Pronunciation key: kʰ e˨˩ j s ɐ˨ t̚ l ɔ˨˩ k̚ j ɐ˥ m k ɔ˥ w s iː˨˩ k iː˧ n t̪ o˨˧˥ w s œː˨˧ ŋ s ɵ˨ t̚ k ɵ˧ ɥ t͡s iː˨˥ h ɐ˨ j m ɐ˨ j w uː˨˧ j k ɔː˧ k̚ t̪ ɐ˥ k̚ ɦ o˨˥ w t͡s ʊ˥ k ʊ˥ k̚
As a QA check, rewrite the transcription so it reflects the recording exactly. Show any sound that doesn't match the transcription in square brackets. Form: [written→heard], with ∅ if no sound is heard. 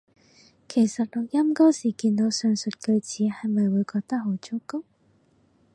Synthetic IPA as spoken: kʰ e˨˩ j s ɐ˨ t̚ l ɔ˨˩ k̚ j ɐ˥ m k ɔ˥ w s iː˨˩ k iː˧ n t̪ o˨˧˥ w s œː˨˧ ŋ s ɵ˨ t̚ k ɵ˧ ɥ t͡s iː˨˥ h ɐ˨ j m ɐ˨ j w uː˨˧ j k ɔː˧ k̚ t̪ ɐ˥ k̚ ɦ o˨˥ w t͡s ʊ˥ k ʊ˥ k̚